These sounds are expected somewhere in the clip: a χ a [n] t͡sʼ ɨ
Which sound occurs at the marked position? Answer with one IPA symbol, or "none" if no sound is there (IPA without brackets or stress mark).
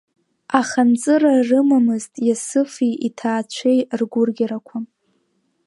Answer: n